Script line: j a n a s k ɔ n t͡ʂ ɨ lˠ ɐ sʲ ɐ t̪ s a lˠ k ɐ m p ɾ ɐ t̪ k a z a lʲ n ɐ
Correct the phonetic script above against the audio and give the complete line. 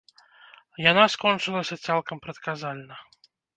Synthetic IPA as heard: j a n a s k ɔ n t͡ʂ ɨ lˠ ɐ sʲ ɐ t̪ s a lˠ k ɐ m p ɾ ɐ t̪ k a z a lʲ n ɐ